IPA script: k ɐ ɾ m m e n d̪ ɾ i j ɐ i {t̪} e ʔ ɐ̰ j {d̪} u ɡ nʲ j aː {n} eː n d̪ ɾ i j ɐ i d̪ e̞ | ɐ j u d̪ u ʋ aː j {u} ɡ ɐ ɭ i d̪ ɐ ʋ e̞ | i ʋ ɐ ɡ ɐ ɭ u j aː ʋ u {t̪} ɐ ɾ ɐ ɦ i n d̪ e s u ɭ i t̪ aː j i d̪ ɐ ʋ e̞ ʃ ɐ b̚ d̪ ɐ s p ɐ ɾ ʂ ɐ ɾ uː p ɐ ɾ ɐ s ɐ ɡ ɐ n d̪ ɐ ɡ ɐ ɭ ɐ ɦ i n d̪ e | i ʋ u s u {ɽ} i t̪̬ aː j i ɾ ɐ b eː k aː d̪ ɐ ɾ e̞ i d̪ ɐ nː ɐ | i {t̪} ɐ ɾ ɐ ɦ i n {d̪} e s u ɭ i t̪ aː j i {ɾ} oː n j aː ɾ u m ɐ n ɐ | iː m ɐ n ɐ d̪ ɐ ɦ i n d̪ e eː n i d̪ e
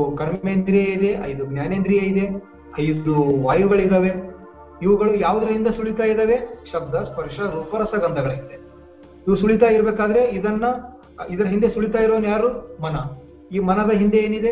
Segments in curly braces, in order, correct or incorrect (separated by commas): incorrect, correct, correct, correct, incorrect, incorrect, incorrect, correct, correct